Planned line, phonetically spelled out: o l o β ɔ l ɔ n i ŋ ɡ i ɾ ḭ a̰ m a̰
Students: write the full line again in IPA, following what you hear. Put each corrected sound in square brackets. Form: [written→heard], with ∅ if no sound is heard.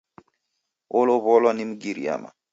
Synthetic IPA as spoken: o l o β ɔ l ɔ n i [ŋ→m] ɡ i ɾ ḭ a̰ m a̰